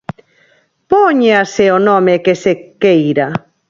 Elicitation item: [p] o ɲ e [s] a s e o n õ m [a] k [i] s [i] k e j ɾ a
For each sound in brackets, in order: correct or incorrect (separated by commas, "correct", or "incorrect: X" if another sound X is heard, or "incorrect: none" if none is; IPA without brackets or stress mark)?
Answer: correct, incorrect: none, incorrect: e, incorrect: e, incorrect: e